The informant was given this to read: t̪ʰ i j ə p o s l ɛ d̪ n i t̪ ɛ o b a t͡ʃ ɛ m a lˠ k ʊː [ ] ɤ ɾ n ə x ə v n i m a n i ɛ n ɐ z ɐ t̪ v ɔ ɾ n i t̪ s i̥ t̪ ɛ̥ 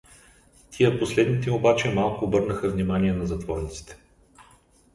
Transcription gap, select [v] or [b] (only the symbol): b